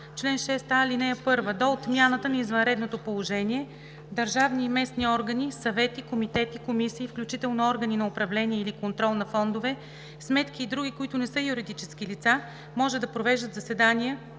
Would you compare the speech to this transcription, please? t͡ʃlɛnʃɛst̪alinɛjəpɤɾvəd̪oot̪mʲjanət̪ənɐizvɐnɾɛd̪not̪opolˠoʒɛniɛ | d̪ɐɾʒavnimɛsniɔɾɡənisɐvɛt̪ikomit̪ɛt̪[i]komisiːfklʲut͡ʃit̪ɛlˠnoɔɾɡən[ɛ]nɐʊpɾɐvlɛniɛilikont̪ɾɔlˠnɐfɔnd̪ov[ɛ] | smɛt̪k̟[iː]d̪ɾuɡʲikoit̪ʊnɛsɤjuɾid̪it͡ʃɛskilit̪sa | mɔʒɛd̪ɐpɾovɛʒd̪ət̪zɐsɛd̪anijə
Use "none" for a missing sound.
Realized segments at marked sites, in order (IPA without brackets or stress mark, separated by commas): i, i, ɛ, iː